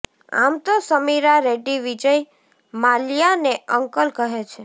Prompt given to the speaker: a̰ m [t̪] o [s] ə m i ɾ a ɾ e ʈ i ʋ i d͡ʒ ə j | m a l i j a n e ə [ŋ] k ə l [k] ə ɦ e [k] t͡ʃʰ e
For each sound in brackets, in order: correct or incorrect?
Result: correct, correct, correct, correct, incorrect: none

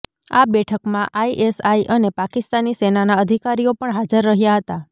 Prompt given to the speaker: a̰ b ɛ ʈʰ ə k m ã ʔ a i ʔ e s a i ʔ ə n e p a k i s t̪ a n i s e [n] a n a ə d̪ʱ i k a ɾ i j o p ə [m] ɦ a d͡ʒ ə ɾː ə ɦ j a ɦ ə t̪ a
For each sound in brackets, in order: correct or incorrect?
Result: correct, incorrect: ɳ

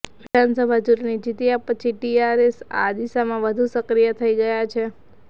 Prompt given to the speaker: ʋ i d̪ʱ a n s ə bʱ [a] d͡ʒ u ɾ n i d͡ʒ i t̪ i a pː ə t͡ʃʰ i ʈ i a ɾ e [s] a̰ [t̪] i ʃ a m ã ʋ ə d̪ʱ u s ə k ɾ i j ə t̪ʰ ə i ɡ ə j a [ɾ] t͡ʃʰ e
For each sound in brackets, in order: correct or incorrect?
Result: correct, correct, incorrect: d̪, incorrect: none

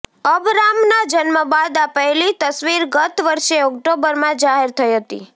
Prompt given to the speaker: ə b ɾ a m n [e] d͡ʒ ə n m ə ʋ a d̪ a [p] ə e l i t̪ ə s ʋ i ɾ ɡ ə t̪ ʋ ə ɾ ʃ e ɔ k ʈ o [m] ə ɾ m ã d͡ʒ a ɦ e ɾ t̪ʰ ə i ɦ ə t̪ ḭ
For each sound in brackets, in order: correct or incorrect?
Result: incorrect: a, correct, incorrect: b

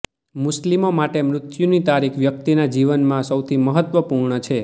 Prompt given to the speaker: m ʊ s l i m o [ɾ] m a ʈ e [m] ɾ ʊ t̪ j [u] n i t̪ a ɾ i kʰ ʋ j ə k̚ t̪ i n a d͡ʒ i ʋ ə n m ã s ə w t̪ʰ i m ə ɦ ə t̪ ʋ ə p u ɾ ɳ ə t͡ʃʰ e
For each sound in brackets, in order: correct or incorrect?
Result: incorrect: none, correct, correct

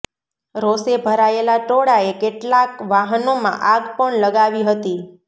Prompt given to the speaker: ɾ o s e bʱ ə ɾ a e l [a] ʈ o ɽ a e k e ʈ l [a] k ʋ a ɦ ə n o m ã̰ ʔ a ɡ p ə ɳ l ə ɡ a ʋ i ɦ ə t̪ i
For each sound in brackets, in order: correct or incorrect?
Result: correct, correct

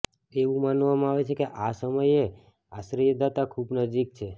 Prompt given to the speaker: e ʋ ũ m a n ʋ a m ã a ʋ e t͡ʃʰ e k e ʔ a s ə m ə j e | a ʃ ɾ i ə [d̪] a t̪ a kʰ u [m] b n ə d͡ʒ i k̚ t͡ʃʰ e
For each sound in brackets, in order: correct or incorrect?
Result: correct, incorrect: none

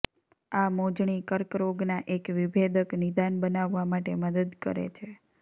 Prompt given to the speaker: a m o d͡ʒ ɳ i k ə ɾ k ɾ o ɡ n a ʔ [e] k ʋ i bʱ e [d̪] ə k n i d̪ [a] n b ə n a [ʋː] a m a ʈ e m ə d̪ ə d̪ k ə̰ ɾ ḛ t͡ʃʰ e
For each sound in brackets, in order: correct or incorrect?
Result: correct, correct, correct, correct

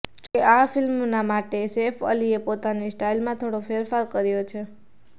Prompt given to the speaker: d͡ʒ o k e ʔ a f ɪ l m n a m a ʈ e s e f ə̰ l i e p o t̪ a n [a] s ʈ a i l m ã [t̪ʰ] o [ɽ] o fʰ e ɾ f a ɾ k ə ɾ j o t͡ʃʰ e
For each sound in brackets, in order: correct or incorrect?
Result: incorrect: i, correct, correct

